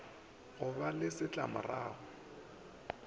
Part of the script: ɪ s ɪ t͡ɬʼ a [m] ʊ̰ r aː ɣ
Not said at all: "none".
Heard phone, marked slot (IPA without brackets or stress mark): m